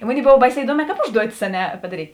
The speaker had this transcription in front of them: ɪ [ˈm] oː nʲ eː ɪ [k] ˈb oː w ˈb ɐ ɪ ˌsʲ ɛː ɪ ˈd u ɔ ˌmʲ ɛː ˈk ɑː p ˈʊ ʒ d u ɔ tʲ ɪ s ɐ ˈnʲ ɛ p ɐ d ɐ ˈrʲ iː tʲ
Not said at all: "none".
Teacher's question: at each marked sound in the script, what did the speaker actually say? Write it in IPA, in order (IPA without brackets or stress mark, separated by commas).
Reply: m, none